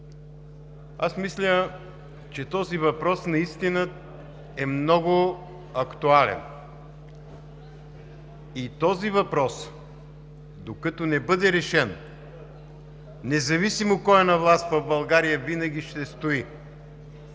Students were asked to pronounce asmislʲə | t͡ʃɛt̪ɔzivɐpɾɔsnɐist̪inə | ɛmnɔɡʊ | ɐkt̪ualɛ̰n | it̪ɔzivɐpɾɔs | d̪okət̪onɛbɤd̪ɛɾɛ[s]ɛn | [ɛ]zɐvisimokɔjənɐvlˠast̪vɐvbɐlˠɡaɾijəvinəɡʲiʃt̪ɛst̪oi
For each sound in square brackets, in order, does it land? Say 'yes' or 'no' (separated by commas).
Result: no, yes